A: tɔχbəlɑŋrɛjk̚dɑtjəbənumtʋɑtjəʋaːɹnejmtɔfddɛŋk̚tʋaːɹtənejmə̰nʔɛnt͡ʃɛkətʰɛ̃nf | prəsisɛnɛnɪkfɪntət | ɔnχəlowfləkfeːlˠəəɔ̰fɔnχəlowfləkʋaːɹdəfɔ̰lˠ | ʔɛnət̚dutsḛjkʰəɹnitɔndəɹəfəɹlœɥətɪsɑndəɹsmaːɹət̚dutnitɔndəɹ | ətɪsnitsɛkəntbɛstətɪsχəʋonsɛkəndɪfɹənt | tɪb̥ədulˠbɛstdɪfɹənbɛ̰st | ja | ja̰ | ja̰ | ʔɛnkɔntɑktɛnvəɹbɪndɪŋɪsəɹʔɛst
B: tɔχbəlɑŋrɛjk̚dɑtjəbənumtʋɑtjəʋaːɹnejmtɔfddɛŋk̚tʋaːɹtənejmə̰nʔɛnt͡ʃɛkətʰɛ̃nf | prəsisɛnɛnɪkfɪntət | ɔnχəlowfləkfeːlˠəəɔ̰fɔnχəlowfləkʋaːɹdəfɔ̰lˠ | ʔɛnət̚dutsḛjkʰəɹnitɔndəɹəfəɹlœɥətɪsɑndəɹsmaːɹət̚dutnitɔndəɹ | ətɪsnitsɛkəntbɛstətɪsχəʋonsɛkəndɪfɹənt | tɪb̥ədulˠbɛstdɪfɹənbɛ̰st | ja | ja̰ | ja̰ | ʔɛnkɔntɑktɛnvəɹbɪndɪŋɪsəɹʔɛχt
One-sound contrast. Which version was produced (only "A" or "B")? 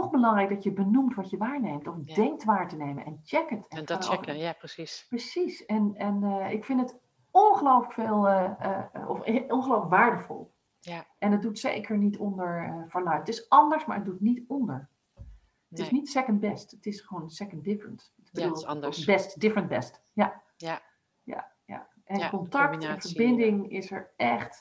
B